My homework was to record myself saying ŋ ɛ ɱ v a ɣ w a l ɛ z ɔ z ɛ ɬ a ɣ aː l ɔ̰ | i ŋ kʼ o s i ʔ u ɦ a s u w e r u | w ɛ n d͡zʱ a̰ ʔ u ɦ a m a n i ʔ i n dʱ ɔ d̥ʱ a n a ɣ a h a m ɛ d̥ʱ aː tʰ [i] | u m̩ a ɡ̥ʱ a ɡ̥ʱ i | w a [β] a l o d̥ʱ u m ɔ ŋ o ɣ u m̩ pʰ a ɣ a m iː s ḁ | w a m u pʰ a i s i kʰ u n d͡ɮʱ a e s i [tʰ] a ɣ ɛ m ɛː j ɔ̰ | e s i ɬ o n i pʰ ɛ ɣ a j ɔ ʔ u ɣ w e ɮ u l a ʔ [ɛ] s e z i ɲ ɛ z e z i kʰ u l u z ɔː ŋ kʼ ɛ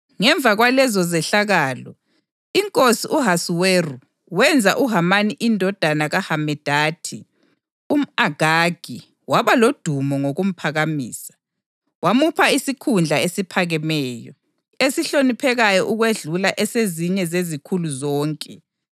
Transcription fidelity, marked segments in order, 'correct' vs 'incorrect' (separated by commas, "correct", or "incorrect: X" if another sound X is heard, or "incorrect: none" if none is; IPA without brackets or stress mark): correct, correct, incorrect: pʰ, correct